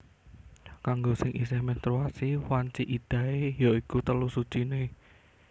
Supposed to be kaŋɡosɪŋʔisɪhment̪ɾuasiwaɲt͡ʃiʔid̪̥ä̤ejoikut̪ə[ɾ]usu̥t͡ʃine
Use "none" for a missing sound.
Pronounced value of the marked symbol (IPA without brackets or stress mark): l